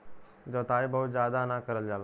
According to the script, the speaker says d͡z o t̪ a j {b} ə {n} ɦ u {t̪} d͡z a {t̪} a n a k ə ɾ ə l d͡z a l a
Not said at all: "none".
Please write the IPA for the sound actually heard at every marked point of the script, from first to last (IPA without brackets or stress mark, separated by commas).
b, none, t̪, d̪